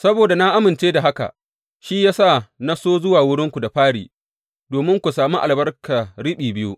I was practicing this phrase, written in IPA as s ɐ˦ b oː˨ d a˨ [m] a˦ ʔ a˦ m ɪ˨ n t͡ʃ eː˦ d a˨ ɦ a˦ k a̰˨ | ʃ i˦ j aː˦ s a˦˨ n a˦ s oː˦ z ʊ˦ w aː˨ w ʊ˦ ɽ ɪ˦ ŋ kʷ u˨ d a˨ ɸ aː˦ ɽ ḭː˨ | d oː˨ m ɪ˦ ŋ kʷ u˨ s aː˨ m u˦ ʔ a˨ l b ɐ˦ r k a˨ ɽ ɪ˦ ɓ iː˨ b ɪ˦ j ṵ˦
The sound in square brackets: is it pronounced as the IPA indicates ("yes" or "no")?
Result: no